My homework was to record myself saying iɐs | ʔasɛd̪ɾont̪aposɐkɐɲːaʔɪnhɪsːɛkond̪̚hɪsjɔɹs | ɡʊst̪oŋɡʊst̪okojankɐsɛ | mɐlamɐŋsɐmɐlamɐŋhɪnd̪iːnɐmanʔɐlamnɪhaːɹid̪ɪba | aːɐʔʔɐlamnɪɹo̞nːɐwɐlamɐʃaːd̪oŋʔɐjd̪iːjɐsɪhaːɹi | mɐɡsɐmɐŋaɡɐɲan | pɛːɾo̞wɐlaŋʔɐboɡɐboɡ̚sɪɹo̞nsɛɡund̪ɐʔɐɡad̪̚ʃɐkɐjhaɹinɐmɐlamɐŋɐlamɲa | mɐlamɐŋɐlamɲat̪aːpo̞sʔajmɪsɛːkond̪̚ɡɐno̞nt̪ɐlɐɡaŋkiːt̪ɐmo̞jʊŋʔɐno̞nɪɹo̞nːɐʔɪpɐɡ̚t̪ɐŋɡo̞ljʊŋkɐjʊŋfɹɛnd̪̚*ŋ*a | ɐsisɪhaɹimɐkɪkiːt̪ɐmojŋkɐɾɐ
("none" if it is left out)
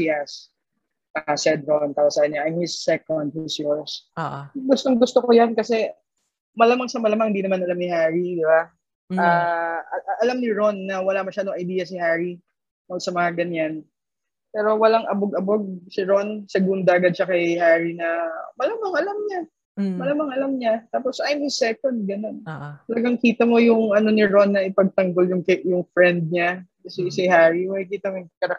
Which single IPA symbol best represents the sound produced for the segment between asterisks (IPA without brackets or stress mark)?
ɲ